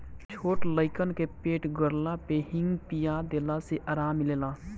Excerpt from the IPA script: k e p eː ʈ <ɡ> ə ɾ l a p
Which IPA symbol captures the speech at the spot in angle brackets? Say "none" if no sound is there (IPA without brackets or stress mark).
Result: ɡ